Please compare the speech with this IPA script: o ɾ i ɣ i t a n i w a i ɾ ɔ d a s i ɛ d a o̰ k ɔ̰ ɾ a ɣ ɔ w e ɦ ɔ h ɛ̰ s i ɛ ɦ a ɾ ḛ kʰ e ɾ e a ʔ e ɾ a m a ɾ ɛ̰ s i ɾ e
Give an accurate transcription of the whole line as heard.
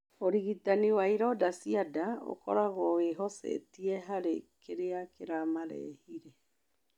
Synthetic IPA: o ɾ i ɣ i t a n i w a i ɾ ɔ d a s i a d a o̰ k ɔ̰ ɾ a ɣ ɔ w e ɦ ɔ s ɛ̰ t i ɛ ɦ a ɾ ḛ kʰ e ɾ e a k e ɾ a m a ɾ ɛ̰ h i ɾ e